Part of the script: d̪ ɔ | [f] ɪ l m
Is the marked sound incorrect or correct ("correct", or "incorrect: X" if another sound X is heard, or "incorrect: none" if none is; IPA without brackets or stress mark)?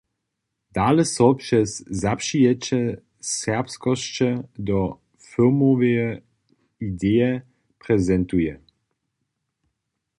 correct